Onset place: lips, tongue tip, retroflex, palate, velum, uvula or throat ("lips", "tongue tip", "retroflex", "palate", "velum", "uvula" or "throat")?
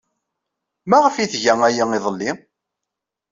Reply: lips